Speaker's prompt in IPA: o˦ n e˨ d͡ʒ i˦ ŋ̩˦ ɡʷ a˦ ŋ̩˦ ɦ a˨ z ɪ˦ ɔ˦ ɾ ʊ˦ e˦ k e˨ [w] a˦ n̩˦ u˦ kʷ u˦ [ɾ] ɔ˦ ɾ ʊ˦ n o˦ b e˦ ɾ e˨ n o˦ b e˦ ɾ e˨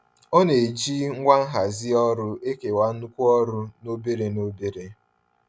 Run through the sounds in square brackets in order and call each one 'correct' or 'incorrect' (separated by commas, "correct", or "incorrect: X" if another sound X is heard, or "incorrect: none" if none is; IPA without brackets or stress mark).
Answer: correct, incorrect: none